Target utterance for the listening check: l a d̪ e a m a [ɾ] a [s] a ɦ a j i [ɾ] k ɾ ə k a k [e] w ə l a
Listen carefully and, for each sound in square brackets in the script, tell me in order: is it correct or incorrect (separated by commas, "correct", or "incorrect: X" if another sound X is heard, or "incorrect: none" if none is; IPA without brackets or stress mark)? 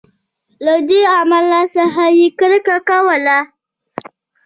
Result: incorrect: l, correct, incorrect: none, incorrect: a